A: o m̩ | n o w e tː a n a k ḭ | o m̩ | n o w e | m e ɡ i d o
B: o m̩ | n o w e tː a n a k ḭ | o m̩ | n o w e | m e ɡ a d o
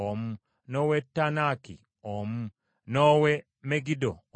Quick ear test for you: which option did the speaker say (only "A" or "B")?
A